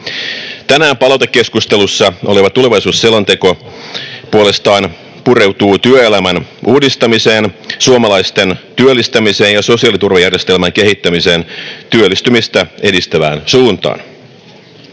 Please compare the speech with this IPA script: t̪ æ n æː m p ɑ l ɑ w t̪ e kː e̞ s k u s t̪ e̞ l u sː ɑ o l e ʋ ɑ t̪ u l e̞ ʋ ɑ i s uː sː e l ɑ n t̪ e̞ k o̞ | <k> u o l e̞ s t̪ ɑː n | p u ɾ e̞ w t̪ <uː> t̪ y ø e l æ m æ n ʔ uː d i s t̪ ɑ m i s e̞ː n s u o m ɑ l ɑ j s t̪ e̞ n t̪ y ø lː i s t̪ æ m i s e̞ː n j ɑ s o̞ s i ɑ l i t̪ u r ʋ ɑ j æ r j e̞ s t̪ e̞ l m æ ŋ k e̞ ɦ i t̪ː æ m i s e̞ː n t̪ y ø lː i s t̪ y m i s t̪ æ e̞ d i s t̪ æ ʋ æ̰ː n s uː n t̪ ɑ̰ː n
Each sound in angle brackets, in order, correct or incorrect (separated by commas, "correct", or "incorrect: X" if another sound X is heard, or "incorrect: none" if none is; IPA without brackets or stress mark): incorrect: p, correct